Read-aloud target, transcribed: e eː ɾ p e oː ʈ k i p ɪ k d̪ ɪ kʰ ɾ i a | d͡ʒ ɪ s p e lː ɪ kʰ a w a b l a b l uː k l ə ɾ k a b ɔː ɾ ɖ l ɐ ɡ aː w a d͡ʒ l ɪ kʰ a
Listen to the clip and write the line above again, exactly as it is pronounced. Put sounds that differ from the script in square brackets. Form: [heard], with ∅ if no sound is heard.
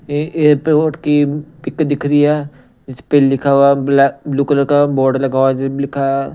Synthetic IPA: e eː ɾ p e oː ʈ k i p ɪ k d̪ ɪ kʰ ɾ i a | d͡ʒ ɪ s p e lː ɪ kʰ a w a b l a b l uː k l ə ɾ k a b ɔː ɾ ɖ l ɐ ɡ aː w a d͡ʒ l ɪ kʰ a

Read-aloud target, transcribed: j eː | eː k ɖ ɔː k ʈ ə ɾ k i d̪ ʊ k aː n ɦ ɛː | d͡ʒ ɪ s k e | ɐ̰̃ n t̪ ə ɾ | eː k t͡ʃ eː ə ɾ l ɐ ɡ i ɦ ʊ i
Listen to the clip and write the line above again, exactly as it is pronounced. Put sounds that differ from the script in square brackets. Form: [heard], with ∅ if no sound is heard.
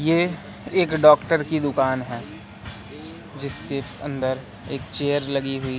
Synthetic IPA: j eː | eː k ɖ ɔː k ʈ ə ɾ k i d̪ ʊ k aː n ɦ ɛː | d͡ʒ ɪ s k e | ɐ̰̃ n [d̪] ə ɾ | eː k t͡ʃ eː ə ɾ l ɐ ɡ i ɦ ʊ i

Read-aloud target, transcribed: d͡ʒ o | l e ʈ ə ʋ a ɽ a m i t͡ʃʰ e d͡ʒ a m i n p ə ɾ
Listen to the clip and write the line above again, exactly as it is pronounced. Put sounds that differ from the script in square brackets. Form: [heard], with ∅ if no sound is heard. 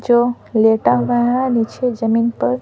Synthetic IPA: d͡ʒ o | l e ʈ [a] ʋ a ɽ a [n] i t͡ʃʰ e d͡ʒ [ə] m i n p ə ɾ

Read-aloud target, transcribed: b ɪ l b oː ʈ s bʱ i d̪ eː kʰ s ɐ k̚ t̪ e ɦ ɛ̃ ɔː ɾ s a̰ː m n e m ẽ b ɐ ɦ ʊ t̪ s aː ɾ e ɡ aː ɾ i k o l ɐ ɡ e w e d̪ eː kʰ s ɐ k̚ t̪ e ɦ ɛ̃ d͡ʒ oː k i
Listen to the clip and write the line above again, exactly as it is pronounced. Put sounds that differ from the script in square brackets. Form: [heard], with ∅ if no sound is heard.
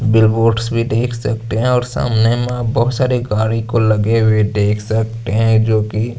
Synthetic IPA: b ɪ l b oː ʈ s bʱ i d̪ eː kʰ s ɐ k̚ t̪ e ɦ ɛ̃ ɔː ɾ s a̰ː m n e m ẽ b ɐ ɦ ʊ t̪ s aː ɾ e ɡ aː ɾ i k o l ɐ ɡ e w e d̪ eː kʰ s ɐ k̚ t̪ e ɦ ɛ̃ d͡ʒ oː k i

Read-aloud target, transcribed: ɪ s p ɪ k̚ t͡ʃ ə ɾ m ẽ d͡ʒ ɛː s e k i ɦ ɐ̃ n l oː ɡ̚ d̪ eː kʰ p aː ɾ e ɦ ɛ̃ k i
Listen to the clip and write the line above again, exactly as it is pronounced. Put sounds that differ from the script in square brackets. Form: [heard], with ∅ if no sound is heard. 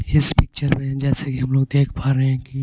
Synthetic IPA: ɪ s p ɪ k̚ t͡ʃ ə ɾ m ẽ d͡ʒ ɛː s e k i ɦ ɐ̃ [m] l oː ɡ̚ d̪ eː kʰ p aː ɾ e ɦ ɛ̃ k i

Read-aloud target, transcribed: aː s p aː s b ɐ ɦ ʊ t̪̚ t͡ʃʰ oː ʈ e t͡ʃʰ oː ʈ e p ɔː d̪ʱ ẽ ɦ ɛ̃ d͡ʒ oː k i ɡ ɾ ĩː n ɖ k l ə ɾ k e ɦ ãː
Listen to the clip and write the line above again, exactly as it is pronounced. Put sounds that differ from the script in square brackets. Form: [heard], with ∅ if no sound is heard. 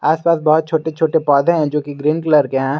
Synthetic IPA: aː s p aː s b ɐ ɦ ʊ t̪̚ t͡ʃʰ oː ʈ e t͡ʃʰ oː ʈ e p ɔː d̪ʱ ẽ ɦ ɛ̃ d͡ʒ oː k i ɡ ɾ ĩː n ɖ k l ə ɾ k e ɦ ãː

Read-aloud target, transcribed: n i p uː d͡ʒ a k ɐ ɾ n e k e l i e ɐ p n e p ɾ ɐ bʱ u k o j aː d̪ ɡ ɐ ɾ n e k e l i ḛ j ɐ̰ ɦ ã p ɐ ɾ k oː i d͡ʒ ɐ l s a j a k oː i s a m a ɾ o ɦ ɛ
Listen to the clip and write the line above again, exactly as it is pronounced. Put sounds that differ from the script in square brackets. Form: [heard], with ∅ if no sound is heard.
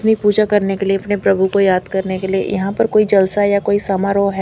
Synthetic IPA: n i p uː d͡ʒ a k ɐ ɾ n e k e l i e ɐ p n e p ɾ ɐ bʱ u k o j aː d̪ [k] ɐ ɾ n e k e l i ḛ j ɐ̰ ɦ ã p ɐ ɾ k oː i d͡ʒ ɐ l s a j a k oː i s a m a ɾ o ɦ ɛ

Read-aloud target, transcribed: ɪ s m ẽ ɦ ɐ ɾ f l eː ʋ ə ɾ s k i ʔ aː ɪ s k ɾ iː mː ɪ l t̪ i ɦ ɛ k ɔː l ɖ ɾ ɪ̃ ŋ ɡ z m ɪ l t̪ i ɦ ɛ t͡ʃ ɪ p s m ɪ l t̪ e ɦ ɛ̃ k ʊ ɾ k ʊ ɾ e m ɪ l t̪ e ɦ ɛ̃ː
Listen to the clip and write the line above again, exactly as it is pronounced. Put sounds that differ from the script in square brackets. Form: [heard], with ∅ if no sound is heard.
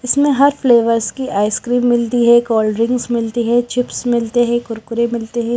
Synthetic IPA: ɪ s m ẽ ɦ ɐ ɾ f l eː ʋ ə ɾ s k i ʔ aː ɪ s k ɾ iː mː ɪ l t̪ i ɦ ɛ k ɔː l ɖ ɾ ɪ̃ ŋ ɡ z m ɪ l t̪ i ɦ ɛ t͡ʃ ɪ p s m ɪ l t̪ e ɦ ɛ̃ k ʊ ɾ k ʊ ɾ e m ɪ l t̪ e ɦ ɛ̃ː

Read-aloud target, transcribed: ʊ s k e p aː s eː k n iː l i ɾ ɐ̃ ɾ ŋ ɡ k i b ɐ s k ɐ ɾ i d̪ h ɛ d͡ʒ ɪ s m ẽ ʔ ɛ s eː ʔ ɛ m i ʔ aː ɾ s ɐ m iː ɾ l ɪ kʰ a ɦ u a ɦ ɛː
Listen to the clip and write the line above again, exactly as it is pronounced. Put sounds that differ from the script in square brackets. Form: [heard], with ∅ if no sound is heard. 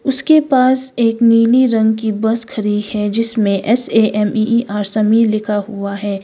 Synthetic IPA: ʊ s k e p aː s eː k n iː l i ɾ ɐ̃ [∅] ŋ ɡ k i b ɐ s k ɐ ɾ i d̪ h ɛ d͡ʒ ɪ s m ẽ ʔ ɛ s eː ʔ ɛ m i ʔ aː ɾ s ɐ m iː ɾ l ɪ kʰ a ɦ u a ɦ ɛː

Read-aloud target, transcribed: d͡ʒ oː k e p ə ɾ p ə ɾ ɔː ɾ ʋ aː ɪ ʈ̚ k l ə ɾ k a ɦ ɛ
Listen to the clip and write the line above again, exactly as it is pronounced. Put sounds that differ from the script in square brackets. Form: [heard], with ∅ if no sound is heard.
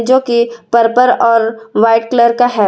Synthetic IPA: d͡ʒ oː k [i] p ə ɾ p ə ɾ ɔː ɾ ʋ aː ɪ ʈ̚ k l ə ɾ k a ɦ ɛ

